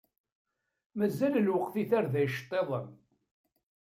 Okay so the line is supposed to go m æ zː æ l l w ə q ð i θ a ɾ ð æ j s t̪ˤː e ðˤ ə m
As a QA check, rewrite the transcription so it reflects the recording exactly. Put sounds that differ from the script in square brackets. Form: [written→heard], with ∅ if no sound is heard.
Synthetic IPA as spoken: m æ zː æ l l w ə q [ð→θ] i θ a ɾ ð æ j [s→ʃ] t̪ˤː e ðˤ ə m